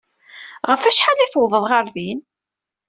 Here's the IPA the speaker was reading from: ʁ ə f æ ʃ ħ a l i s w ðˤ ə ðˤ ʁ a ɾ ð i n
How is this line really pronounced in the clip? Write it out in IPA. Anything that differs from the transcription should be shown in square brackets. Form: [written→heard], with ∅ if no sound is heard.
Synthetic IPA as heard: ʁ ə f æ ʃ ħ a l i [s→θ] w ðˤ ə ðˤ ʁ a ɾ ð i n